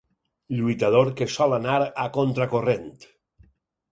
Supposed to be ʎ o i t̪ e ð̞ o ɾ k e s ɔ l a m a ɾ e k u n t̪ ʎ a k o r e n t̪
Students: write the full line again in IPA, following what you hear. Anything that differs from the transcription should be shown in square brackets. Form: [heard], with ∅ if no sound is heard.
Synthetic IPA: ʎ [u] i t̪ [a] ð̞ o ɾ k e s ɔ l a [n] a ɾ [a] k [o] n t̪ [ɾ] a k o r e n t̪